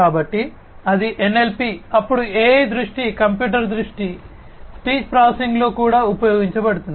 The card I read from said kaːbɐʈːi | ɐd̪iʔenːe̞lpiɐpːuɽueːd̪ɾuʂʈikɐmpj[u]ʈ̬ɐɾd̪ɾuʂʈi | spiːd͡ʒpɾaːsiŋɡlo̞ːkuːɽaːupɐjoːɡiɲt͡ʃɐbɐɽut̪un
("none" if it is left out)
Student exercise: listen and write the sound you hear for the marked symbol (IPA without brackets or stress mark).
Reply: uː